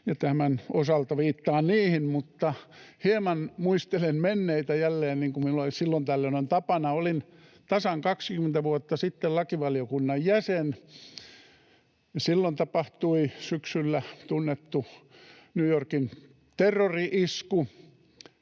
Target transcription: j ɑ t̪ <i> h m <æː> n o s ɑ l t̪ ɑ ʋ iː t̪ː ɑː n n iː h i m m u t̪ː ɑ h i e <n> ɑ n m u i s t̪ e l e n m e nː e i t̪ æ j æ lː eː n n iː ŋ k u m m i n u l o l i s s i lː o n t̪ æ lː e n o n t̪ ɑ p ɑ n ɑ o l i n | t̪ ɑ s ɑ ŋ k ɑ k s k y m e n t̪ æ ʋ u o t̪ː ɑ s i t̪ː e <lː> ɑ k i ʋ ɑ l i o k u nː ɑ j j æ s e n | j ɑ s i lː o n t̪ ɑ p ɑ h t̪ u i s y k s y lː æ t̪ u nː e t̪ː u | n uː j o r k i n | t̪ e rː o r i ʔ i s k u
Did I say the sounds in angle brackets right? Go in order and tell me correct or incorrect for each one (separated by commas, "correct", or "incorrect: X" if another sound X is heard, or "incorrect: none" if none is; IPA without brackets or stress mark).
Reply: incorrect: æ, incorrect: æ, incorrect: m, incorrect: l